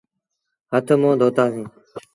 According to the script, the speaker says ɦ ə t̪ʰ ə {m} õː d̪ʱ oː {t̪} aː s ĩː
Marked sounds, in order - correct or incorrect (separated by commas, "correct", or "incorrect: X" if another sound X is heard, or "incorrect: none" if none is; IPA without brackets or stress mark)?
correct, correct